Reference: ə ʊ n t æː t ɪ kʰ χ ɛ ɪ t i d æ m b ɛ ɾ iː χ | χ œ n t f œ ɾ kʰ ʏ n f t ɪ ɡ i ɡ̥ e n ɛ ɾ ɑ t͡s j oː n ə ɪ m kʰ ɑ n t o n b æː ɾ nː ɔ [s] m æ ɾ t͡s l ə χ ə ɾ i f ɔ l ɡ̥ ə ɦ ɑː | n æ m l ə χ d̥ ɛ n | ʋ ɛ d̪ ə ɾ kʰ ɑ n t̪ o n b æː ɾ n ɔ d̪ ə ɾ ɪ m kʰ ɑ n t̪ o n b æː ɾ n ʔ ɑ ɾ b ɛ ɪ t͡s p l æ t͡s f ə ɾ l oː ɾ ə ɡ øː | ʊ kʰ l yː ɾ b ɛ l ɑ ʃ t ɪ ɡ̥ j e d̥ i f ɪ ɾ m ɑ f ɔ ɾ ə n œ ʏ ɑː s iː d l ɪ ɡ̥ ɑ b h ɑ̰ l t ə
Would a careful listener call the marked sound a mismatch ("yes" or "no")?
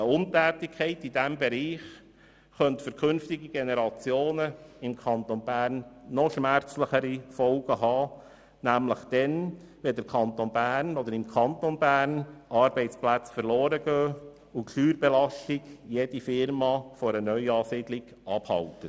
yes